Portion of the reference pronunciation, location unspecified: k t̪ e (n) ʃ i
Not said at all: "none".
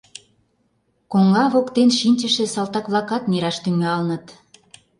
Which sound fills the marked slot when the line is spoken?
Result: n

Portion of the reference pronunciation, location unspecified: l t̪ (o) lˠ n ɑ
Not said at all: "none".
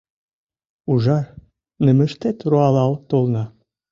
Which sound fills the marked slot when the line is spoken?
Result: o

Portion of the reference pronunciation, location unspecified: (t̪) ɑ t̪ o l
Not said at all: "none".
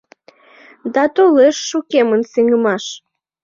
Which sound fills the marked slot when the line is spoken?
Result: d̪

